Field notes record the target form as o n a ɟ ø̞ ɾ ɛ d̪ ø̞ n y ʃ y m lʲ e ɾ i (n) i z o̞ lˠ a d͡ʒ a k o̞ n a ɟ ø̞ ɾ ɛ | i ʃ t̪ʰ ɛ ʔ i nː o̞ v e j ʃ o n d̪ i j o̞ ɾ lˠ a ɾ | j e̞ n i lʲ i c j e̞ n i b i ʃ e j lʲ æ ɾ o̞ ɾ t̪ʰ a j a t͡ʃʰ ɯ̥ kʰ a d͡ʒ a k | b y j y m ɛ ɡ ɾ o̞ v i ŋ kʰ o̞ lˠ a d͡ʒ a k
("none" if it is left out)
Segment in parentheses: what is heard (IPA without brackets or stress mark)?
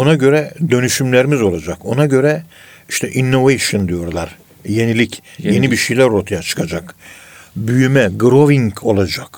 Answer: m